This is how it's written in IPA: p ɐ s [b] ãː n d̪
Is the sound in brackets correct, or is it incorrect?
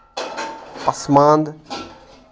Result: incorrect: m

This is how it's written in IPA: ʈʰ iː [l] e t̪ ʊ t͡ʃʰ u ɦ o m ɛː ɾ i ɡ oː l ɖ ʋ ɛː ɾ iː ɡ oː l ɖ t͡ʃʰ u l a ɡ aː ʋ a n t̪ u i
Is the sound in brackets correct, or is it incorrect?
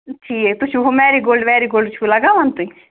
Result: incorrect: none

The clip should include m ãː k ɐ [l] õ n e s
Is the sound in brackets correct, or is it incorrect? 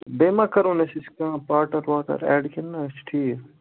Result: incorrect: ɾ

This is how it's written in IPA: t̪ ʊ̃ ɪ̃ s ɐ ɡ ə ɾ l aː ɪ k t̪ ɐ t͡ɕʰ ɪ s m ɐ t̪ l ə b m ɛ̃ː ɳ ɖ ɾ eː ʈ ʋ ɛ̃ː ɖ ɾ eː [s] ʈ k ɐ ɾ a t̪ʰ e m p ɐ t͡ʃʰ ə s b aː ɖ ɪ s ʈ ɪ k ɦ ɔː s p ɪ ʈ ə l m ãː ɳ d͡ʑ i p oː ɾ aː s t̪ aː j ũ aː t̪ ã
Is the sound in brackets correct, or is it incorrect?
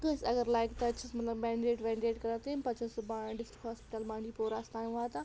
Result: incorrect: none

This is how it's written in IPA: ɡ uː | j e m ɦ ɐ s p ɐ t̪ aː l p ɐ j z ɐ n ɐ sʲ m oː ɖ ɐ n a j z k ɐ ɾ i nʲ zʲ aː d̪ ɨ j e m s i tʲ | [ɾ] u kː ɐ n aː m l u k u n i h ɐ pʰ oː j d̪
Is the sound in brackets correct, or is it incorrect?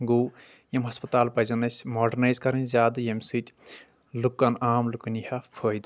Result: incorrect: l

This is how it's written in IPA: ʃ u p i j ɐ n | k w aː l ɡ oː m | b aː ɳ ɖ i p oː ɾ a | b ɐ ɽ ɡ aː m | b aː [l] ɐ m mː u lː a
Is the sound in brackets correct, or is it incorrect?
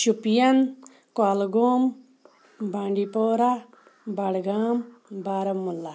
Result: incorrect: ɾ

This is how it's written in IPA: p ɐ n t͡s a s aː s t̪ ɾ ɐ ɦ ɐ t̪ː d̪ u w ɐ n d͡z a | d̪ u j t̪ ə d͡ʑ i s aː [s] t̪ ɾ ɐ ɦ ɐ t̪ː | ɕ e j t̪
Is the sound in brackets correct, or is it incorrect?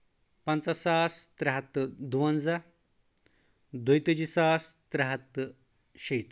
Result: correct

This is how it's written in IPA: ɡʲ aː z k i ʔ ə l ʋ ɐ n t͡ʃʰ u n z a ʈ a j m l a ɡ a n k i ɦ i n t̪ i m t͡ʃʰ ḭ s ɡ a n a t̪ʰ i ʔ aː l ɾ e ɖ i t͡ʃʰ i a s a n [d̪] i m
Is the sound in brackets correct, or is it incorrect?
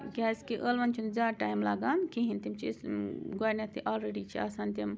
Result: incorrect: t̪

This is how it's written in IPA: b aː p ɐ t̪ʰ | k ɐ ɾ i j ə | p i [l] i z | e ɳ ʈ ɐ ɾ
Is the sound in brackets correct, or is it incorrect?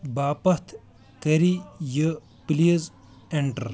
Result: correct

